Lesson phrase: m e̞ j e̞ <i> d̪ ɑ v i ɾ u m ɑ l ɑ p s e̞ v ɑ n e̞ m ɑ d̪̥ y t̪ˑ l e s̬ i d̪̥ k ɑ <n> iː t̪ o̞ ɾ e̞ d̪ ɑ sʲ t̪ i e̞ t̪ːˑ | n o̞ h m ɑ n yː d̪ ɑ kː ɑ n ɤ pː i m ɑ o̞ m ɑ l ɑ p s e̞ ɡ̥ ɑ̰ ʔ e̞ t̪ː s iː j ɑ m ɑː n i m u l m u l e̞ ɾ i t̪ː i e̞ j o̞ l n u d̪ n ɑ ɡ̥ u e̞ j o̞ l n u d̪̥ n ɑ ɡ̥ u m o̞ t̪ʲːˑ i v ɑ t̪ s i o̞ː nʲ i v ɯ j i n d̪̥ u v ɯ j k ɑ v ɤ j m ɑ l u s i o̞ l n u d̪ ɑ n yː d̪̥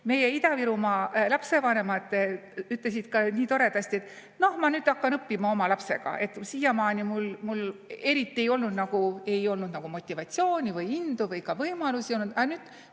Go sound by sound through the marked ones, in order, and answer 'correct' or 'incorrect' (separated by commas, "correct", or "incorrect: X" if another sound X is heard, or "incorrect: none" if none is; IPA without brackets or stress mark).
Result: correct, correct